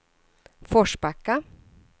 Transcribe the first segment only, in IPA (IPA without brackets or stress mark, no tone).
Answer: f